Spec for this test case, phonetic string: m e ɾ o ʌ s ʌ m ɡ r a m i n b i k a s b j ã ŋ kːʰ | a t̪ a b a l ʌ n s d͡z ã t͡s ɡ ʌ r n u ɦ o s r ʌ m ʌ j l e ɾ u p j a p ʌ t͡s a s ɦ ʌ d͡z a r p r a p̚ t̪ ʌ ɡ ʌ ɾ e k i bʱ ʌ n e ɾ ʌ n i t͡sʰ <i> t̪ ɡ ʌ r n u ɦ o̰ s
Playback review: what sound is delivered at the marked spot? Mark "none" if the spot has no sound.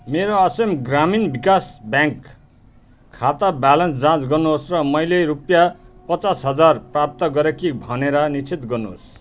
i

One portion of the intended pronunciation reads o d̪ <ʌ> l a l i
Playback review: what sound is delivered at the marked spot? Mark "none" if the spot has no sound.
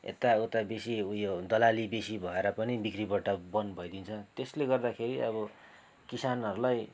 ʌ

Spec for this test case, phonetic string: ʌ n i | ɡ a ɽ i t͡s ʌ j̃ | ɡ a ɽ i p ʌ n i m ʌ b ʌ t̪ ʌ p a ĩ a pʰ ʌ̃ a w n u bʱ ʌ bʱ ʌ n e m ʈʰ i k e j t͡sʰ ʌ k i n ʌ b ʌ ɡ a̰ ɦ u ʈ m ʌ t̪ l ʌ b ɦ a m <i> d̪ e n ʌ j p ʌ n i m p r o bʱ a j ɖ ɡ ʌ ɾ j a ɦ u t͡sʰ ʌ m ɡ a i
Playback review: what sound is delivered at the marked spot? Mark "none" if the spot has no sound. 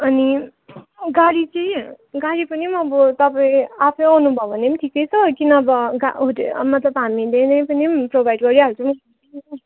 i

